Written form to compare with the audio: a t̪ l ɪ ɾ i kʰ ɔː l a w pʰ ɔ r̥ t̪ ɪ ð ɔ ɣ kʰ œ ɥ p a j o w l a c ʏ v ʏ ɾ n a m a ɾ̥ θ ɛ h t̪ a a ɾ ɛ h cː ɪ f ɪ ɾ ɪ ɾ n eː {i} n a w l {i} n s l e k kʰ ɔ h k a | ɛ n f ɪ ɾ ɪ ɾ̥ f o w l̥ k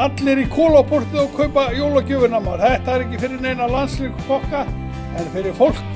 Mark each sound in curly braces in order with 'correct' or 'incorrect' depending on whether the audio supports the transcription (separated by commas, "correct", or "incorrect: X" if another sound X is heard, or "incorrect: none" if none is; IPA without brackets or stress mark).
incorrect: j, incorrect: a